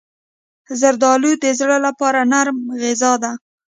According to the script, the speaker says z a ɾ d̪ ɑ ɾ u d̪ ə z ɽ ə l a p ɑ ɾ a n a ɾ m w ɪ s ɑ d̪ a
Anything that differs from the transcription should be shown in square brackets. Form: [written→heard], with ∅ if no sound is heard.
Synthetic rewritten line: z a ɾ d̪ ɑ [ɾ→l] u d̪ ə z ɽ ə l a p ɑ ɾ a n a ɾ m [w→ɣ] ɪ [s→z] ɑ d̪ a